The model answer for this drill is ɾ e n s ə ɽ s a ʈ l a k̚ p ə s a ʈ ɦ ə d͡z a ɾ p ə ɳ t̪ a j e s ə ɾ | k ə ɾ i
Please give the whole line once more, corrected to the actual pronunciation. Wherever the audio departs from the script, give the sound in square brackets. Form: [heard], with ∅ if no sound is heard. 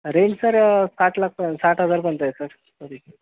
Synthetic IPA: ɾ e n s ə [ɾ] s a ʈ l a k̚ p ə s a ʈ ɦ ə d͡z a ɾ p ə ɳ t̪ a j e s ə ɾ | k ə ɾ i